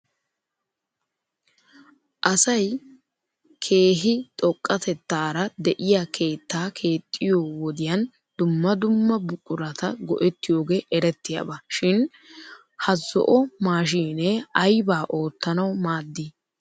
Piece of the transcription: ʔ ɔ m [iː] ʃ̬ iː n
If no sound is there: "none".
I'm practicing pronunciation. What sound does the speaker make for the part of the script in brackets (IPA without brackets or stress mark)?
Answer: aː